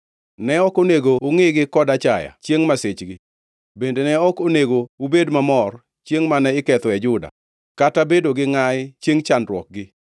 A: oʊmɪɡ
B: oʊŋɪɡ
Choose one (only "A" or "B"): B